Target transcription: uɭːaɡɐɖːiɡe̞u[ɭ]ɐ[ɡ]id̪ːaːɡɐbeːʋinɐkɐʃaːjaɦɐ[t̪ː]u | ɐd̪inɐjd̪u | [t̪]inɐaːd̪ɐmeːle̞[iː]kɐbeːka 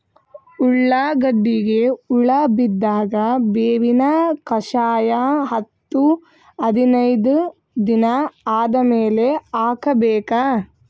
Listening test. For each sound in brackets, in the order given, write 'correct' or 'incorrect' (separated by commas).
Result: correct, incorrect, correct, incorrect, incorrect